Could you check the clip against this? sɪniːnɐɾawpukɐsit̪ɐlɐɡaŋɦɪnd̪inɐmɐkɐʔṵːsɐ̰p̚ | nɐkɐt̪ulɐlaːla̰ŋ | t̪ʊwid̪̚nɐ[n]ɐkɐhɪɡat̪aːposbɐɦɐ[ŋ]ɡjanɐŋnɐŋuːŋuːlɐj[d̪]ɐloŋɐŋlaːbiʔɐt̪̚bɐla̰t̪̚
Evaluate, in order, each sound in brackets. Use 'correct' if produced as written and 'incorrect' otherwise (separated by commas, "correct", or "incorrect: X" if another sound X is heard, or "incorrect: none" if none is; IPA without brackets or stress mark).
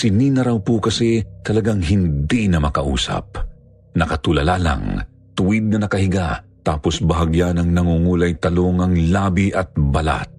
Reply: correct, incorrect: none, incorrect: t̪